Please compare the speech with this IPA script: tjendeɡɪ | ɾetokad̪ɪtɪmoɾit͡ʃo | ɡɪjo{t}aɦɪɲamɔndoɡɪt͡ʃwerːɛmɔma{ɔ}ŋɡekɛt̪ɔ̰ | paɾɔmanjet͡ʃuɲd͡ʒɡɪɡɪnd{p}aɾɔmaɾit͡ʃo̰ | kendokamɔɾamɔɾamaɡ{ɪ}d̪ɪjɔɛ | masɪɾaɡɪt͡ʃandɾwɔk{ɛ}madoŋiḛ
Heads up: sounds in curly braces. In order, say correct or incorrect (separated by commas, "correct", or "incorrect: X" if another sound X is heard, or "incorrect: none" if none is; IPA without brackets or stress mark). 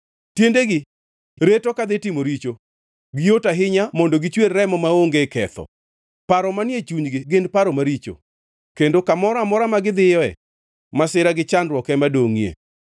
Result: correct, incorrect: o, correct, correct, correct